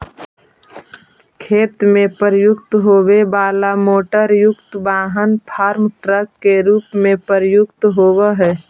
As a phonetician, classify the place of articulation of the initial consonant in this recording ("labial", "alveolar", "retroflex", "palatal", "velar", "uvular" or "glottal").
velar